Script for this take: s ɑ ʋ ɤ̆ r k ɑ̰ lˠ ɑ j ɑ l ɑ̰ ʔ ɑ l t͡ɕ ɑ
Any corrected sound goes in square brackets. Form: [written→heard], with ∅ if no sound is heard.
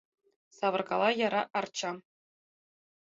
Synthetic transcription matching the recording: s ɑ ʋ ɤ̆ r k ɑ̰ lˠ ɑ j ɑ [l→ɾ] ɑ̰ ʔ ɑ [l→r] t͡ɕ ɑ